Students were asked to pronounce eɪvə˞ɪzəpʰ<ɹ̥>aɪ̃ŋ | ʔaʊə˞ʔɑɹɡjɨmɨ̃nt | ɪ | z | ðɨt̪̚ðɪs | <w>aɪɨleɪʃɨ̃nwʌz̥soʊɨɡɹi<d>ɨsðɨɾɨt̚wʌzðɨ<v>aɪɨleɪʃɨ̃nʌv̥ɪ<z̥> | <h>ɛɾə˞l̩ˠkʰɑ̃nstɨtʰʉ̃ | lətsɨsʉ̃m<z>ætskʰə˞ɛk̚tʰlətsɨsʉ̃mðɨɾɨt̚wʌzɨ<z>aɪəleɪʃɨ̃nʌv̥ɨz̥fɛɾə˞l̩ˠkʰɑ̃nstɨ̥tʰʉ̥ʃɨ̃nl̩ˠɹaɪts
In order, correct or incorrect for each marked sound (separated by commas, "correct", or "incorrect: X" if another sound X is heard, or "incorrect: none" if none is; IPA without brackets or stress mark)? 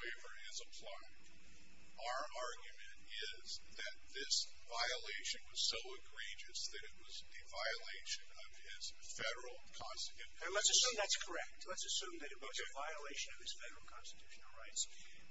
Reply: incorrect: l̥, incorrect: v, incorrect: d͡ʒ, correct, correct, incorrect: f, incorrect: ð, incorrect: v